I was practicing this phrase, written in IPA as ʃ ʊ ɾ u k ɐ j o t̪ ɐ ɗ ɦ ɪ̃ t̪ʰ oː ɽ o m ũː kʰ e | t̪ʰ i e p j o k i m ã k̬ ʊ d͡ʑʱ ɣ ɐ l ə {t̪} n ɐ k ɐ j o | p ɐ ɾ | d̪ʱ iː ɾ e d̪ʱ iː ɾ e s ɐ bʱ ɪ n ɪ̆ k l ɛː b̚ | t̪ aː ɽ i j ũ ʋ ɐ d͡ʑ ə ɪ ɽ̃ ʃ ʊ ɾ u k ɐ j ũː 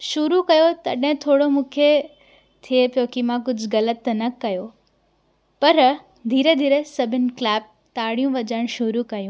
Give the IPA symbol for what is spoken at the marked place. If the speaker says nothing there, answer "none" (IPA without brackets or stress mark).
t̪